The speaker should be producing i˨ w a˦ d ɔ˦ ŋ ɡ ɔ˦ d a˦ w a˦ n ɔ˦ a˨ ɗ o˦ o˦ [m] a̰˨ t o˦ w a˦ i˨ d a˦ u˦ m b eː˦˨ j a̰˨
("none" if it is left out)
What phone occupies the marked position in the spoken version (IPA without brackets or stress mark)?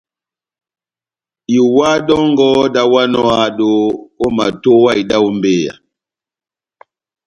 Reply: m